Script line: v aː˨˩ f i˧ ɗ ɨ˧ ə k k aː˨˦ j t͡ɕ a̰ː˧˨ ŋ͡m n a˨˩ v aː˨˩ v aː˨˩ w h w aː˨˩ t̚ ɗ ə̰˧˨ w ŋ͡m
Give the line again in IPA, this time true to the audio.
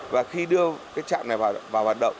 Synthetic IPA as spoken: v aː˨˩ x i˧ ɗ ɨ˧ ə k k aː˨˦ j t͡ɕ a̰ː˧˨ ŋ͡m n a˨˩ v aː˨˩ v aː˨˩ w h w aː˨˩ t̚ ɗ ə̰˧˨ w ŋ͡m